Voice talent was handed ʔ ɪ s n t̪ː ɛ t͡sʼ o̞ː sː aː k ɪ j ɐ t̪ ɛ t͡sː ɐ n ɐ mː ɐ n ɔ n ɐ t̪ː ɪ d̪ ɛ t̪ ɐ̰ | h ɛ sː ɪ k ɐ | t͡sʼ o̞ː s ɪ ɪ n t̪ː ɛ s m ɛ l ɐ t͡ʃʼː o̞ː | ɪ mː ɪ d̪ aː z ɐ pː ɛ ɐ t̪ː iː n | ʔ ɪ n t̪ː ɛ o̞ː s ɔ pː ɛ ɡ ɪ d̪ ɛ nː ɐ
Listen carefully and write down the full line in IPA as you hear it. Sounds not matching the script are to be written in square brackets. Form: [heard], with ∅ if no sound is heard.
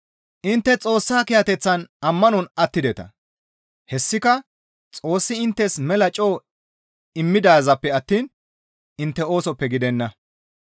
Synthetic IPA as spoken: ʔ ɪ [∅] n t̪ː ɛ t͡sʼ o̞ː sː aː k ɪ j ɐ t̪ ɛ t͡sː ɐ n ɐ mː ɐ n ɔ n ɐ t̪ː ɪ d̪ ɛ t̪ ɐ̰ | h ɛ sː ɪ k ɐ | t͡sʼ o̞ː [sː] ɪ ɪ n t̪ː ɛ s m ɛ l ɐ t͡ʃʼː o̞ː | ɪ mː ɪ d̪ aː z ɐ pː ɛ ɐ t̪ː iː n | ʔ ɪ n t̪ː ɛ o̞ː s ɔ pː ɛ ɡ ɪ d̪ ɛ nː ɐ